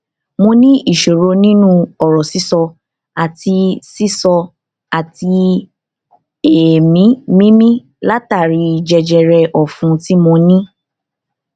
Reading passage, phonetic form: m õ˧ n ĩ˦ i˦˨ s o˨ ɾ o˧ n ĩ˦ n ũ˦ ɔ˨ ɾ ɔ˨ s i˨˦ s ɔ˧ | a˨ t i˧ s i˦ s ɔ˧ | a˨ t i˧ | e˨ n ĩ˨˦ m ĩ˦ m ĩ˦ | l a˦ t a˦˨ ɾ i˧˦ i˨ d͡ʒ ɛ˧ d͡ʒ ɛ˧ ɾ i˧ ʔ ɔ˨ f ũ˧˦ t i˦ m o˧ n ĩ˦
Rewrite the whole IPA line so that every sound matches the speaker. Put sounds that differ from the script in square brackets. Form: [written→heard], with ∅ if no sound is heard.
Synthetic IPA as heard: m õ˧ n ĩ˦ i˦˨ [s→ʃ] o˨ ɾ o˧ n ĩ˦ n ũ˦ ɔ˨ ɾ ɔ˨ s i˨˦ s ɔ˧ | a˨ t i˧ s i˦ s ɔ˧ | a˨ t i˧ | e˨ [n→m] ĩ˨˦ m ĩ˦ m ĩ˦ | l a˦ t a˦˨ ɾ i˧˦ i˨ d͡ʒ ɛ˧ d͡ʒ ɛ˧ ɾ [i˧→ɛ˧] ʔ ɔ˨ f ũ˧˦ t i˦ m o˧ n ĩ˦